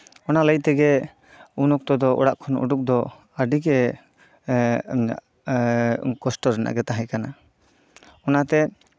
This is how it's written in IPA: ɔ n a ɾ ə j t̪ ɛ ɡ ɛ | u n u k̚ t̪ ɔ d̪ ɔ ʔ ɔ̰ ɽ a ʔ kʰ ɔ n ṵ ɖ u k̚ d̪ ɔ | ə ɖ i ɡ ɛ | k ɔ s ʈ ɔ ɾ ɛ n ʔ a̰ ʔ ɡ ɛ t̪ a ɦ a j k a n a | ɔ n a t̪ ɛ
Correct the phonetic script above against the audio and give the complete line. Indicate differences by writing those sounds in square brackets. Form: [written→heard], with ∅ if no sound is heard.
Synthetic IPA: ɔ n a [ɾ→l] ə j t̪ ɛ ɡ ɛ | u n [u→ɔ] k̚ t̪ ɔ d̪ ɔ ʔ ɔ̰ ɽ a ʔ kʰ ɔ n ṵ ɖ u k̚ d̪ ɔ | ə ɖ i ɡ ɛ | k ɔ s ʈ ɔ ɾ ɛ n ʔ a̰ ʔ ɡ ɛ t̪ a ɦ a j k a n a | ɔ n a t̪ ɛ